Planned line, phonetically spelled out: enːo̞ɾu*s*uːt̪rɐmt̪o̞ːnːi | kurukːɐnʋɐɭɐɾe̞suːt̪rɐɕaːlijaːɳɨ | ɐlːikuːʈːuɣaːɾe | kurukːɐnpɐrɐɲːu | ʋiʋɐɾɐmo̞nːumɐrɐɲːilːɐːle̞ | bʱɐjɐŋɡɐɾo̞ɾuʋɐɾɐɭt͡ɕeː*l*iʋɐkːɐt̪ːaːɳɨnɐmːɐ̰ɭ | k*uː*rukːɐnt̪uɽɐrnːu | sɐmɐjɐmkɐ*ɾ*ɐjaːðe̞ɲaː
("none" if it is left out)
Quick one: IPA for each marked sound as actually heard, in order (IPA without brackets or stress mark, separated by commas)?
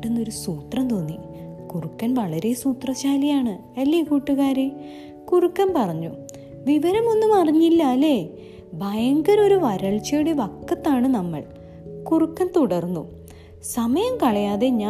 s, ɽ, u, ɭ